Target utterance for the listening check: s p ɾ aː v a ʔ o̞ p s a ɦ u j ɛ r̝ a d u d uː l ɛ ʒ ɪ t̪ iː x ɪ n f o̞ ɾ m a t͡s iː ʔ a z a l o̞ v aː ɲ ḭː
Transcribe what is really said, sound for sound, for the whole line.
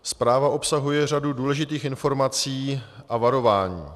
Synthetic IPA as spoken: s p ɾ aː v a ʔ o̞ p s a ɦ u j ɛ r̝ a d u d uː l ɛ ʒ ɪ t̪ iː x ɪ n f o̞ ɾ m a t͡s iː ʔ a v a ɾ o̞ v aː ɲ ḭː